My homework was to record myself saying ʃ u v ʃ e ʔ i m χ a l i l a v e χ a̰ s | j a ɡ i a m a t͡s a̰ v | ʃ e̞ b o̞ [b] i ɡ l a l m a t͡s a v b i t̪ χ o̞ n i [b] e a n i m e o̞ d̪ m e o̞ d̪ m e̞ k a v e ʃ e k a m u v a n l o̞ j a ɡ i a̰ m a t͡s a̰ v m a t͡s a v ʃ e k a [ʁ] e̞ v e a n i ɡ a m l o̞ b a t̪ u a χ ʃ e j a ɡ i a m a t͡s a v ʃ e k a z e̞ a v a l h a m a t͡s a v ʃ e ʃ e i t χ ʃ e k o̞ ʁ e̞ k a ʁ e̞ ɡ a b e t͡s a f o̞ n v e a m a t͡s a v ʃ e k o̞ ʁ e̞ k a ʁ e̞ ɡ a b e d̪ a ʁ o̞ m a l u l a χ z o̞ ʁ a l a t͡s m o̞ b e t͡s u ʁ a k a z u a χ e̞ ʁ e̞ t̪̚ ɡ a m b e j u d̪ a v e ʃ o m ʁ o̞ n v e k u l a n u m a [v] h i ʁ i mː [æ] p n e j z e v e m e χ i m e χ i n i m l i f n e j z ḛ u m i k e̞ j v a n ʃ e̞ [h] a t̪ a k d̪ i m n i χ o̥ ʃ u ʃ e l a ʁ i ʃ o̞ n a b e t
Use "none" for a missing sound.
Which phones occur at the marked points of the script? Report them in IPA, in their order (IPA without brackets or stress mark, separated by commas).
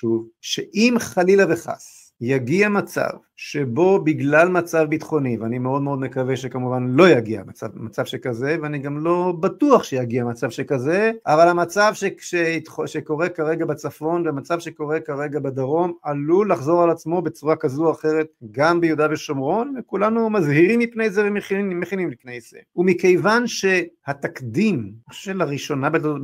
b, v, z, z, i, h